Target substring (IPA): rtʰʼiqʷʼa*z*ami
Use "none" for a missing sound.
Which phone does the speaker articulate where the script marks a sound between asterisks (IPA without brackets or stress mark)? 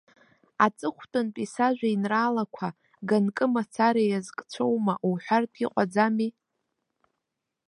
d͡z